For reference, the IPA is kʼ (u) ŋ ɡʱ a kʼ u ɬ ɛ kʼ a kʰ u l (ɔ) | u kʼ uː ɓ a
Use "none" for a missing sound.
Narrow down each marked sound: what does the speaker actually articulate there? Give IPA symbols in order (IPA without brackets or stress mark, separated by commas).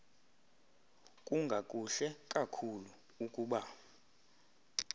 u, u